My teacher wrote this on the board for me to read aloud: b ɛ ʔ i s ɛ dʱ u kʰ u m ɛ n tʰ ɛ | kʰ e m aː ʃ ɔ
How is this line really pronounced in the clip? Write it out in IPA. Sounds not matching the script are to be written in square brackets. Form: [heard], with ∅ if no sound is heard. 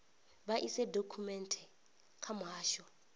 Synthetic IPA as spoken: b [a] ʔ i s ɛ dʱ [o] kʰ u m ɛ n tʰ ɛ | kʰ [a] m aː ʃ ɔ